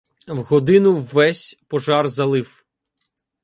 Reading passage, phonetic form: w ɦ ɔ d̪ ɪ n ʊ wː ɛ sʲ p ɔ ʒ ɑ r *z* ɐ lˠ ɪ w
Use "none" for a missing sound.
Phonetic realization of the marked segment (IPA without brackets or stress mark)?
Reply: z